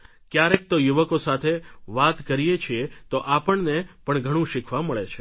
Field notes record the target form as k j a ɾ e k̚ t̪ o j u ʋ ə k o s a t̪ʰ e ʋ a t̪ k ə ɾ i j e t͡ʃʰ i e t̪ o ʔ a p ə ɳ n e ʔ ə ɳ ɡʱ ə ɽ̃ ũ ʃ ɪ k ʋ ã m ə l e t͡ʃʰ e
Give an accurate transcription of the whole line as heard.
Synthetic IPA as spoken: k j a ɾ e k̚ t̪ o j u ʋ ə k o s a t̪ʰ e ʋ a t̪ k ə ɾ i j e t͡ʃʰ i e t̪ o ʔ a p ə ɳ n e p ə ɳ ɡʱ ə ɽ̃ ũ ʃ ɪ kʰ ʋ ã m ə ɭ e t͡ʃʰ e